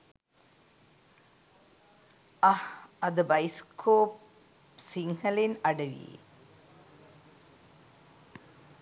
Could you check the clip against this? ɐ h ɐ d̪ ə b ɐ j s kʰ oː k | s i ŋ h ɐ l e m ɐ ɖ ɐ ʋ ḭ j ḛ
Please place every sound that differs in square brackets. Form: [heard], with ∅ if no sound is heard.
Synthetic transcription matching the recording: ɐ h ɐ d̪ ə b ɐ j s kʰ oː [p] | s i ŋ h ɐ l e [n] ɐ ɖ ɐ ʋ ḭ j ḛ